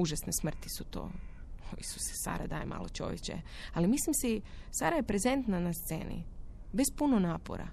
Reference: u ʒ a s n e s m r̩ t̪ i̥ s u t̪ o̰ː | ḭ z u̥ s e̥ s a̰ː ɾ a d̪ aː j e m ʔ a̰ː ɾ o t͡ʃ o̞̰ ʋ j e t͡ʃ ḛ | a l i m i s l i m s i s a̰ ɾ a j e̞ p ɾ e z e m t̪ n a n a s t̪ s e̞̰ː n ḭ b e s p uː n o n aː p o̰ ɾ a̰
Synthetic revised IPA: u ʒ a s n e s m r̩ t̪ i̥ s u t̪ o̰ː | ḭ s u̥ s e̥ s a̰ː ɾ a d̪ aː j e m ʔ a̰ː l o t͡ʃ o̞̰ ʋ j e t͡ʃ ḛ | a l i m i s l i m s i s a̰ ɾ a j e̞ p ɾ e z e n t̪ n a n a s t̪ s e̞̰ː n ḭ b e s p u n o n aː p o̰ ɾ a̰